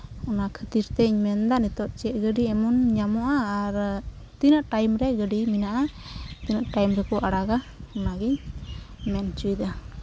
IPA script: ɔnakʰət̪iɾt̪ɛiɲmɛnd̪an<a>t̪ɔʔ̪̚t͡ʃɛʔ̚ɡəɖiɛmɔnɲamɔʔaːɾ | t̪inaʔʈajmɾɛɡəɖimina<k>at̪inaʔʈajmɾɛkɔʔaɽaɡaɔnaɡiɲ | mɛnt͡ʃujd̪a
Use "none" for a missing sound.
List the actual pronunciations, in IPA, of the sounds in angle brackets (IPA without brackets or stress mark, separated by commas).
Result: i, ʔ